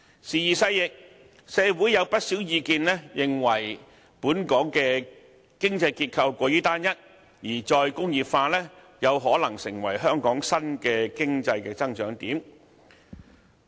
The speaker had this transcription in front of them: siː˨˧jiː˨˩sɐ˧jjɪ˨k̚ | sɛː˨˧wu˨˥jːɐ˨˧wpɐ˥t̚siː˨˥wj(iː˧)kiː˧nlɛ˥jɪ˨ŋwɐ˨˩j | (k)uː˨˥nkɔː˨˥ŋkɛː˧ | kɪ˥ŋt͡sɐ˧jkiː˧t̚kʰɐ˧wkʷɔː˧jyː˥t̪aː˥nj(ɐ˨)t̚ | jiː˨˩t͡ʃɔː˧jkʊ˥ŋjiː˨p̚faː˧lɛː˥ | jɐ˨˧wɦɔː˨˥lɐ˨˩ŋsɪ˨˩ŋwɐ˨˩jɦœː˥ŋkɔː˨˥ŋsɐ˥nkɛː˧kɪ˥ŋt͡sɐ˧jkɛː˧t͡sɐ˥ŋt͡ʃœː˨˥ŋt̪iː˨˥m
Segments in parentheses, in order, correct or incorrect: correct, incorrect: p, incorrect: ɐ˥

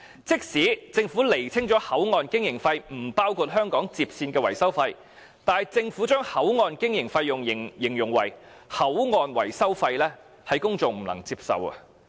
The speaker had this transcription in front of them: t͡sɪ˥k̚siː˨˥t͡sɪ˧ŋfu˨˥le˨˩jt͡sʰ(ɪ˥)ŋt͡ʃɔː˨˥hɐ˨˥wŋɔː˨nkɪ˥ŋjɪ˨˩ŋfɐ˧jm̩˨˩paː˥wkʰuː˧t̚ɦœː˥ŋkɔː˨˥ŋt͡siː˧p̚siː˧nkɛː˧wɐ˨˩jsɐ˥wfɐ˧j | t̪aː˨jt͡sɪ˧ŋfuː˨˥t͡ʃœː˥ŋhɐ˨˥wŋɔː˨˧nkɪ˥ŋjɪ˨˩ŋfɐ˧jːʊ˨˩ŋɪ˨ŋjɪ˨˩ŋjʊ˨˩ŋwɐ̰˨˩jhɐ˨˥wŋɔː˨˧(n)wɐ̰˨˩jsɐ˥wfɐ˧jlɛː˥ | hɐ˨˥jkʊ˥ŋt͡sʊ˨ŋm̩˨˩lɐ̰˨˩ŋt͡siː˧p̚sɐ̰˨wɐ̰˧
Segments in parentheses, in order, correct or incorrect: correct, correct

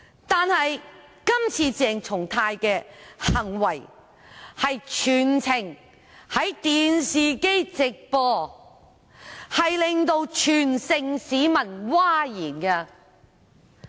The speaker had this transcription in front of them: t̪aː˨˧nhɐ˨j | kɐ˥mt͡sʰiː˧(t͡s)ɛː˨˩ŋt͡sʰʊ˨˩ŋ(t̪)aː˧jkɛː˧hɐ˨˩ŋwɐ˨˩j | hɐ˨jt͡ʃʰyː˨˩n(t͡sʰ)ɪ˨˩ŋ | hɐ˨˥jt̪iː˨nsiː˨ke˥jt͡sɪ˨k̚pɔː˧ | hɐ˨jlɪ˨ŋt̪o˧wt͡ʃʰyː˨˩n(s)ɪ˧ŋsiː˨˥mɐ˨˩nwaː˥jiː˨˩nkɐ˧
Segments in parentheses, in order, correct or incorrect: correct, incorrect: t̪ʰ, correct, correct

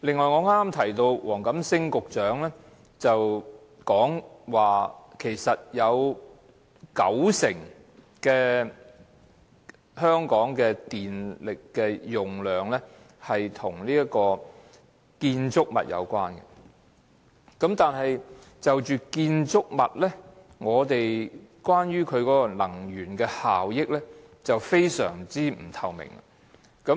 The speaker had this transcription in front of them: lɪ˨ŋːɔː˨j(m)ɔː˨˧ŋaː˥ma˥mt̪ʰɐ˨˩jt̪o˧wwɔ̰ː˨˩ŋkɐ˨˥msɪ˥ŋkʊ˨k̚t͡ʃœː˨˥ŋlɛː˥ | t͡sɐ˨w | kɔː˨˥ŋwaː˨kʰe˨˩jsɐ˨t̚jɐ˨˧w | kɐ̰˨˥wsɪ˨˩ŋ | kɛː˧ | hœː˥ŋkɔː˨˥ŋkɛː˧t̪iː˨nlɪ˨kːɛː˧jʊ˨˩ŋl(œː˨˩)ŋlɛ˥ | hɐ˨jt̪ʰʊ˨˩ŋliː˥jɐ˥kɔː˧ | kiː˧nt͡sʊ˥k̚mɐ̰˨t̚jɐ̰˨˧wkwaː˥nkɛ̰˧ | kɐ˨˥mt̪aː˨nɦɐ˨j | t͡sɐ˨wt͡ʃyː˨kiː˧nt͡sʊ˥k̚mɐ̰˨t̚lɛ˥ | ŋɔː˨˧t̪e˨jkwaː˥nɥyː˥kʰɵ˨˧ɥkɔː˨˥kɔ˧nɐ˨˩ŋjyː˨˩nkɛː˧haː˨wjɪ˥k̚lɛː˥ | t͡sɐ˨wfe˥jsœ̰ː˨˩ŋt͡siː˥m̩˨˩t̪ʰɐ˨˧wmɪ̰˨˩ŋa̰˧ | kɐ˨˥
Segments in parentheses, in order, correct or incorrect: incorrect: ŋ, correct

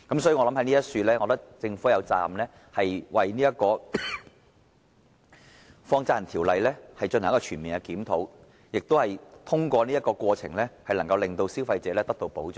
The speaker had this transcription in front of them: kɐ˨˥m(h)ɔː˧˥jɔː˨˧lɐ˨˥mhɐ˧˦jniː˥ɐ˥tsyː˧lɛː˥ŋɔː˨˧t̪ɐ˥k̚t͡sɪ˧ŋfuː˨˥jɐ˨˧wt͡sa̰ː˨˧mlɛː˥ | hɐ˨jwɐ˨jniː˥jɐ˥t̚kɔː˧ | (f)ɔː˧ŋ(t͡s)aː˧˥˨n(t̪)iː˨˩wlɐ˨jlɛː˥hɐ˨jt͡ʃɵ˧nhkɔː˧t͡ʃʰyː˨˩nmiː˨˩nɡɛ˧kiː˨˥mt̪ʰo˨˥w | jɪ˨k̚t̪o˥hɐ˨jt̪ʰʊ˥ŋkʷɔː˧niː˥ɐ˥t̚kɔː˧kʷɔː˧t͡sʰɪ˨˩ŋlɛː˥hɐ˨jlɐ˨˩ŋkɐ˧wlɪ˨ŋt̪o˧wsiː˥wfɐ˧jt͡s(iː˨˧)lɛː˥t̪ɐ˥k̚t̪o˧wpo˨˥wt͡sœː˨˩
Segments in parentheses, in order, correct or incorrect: incorrect: s, correct, correct, incorrect: t̪ʰ, incorrect: ɛː˨˧

